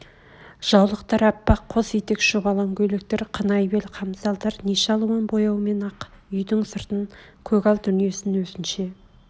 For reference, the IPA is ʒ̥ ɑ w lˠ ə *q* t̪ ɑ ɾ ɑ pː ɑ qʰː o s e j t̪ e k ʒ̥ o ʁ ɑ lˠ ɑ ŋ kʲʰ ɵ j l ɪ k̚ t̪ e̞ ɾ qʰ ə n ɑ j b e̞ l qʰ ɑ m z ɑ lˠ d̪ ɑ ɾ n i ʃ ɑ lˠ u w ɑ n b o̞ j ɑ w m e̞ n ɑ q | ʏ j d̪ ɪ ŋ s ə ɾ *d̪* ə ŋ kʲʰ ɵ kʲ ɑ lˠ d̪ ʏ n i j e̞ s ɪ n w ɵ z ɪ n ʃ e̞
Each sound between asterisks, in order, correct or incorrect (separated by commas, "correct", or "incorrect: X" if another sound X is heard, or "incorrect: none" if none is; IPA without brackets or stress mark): correct, incorrect: t̪